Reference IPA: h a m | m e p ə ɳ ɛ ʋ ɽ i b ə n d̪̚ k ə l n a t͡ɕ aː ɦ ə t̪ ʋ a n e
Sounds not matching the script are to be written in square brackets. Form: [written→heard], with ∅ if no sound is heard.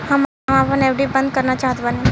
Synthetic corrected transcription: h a m | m [e→a] p ə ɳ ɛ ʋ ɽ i b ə n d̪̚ k ə [l→ɾ] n a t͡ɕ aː ɦ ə t̪ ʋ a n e